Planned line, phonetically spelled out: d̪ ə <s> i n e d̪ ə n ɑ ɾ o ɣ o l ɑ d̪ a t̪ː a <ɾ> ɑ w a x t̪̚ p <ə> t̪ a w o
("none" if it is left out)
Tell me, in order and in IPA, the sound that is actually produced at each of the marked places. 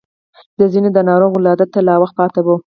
z, l, ɑ

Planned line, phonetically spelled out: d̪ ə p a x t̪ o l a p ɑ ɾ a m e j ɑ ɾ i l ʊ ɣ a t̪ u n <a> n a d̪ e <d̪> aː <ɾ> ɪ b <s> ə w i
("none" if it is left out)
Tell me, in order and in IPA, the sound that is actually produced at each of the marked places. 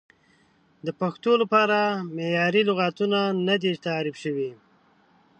a, t̪, ɾ, ʃ

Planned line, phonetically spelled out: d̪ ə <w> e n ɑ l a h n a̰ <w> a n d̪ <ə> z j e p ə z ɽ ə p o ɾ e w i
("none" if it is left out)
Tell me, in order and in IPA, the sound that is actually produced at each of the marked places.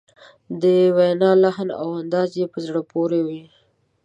w, w, ɑ

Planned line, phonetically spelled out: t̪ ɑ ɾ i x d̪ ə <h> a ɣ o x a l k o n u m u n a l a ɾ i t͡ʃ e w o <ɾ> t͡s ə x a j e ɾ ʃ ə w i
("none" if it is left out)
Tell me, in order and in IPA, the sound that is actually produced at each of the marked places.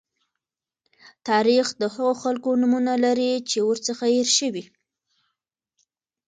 h, ɾ

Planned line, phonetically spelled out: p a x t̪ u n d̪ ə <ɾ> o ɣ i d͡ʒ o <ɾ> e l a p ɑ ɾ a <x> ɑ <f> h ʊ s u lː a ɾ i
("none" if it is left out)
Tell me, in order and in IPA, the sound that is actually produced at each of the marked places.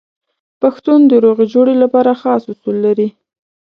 ɾ, ɽ, x, s

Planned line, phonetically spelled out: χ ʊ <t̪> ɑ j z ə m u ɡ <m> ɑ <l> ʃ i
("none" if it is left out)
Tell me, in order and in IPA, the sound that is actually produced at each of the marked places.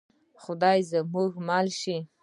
d̪, m, l

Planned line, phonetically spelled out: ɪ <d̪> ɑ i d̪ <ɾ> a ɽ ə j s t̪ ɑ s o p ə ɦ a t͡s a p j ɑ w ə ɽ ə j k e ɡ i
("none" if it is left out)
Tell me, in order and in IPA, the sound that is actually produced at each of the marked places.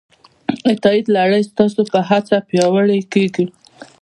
t̪, l

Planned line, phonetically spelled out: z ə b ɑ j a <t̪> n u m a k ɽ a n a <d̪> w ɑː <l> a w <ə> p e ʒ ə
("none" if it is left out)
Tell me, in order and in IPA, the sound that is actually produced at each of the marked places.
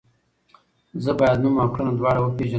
d̪, d̪, ɽ, ə

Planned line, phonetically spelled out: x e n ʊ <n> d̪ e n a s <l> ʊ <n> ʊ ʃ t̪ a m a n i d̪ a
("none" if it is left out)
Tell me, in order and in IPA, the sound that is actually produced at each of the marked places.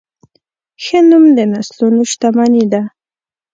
m, l, n

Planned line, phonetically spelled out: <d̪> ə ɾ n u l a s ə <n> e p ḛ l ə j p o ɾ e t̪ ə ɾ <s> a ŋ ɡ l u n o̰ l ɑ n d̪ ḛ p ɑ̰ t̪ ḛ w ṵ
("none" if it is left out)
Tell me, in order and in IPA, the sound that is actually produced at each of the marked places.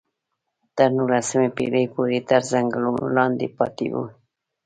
t̪, m, z

